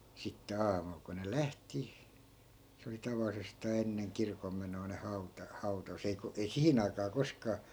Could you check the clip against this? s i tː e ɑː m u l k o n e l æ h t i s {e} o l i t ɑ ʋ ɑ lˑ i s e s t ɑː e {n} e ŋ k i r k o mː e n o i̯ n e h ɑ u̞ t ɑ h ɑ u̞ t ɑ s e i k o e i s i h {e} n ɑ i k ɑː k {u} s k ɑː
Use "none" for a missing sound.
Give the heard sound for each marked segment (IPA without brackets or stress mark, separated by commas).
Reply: e, nː, i, o